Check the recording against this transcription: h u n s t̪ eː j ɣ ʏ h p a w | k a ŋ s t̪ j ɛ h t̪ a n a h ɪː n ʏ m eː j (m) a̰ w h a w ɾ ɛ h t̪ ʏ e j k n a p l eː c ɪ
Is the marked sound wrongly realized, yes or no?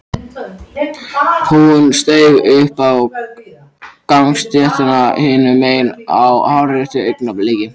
yes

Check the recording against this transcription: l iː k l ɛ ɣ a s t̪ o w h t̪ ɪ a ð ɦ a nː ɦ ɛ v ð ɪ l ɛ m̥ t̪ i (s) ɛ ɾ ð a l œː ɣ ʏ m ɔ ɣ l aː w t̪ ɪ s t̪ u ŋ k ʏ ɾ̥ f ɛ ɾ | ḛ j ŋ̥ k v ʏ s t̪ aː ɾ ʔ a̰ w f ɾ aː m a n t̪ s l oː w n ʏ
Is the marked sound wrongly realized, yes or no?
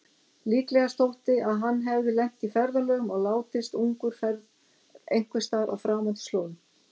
yes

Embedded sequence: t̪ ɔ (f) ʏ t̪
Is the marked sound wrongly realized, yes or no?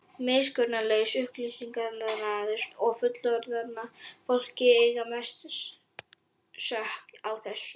no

